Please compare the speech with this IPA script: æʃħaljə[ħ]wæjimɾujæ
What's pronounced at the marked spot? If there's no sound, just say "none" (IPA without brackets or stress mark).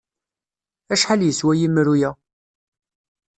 s